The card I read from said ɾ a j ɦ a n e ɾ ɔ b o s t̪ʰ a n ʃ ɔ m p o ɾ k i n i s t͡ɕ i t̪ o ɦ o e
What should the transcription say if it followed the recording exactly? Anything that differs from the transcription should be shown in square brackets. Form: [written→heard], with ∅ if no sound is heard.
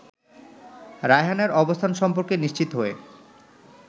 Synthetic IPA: ɾ a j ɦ a n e ɾ ɔ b o s t̪ʰ a n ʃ ɔ m p o ɾ k [i→e] n i [s→ʃ] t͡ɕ i t̪ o ɦ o e